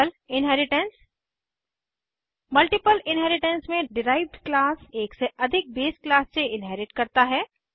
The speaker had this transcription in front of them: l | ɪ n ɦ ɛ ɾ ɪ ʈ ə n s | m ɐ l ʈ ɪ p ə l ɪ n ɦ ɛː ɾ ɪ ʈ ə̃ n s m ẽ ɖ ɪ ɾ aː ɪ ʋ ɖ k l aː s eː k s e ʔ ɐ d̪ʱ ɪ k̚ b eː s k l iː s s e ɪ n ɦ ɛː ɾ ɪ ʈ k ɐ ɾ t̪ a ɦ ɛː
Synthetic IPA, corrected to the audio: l | ɪ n ɦ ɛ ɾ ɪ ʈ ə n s | m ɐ l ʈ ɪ p ə l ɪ n ɦ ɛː ɾ ɪ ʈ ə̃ n s m ẽ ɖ ɪ ɾ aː ɪ ʋ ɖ k l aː s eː k s e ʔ ɐ d̪ʱ ɪ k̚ b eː s k l aː s s e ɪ n ɦ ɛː ɾ ɪ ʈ k ɐ ɾ t̪ a ɦ ɛː